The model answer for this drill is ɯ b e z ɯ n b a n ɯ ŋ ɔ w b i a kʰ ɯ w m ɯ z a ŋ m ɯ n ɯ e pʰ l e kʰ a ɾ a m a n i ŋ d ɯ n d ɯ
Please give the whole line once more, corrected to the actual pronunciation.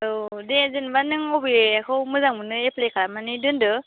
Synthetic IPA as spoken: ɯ d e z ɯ n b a n ɯ ŋ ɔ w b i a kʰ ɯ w m ɯ z a ŋ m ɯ n ɯ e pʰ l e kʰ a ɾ a m a n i d ɯ n d ɯ